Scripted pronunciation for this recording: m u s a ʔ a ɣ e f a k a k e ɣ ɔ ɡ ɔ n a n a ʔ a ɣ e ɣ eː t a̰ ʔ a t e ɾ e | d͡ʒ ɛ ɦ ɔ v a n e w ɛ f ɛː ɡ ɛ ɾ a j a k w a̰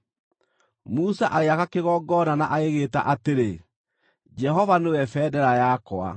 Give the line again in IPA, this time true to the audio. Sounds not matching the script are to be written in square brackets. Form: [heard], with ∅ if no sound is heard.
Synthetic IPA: m u s a ʔ a ɣ e [∅] a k a k e ɣ ɔ ɡ ɔ n a n a ʔ a ɣ e ɣ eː t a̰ ʔ a t e ɾ e | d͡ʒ ɛ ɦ ɔ v a n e w ɛ f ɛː [d] ɛ ɾ a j a k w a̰